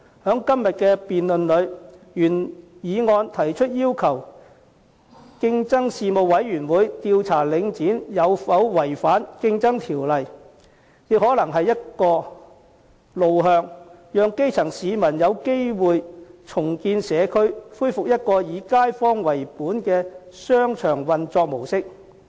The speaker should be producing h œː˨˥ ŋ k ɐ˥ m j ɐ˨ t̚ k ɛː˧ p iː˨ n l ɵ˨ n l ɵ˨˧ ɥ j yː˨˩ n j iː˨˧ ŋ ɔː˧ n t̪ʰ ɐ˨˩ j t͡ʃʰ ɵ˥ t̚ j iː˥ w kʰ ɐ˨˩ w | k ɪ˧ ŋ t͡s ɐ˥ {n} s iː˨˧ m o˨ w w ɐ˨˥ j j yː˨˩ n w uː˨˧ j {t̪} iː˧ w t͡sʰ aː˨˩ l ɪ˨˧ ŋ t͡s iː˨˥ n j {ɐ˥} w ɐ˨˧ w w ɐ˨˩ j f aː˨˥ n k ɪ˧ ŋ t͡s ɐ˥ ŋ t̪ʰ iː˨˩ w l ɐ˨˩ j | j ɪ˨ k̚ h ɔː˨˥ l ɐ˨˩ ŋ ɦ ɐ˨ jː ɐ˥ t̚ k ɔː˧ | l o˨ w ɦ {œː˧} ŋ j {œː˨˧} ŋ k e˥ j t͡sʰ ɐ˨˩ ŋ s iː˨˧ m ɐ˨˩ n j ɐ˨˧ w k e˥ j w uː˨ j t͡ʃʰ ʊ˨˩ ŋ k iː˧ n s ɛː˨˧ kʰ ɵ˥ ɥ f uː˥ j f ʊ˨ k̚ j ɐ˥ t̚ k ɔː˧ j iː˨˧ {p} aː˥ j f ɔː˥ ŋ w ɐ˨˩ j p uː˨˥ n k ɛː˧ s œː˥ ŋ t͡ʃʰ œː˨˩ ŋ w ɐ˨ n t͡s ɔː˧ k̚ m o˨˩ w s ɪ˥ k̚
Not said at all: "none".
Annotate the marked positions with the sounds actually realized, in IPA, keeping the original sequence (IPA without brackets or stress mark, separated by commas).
ŋ, t̪, ɐ˨˧, œː˧, œː˨˧, k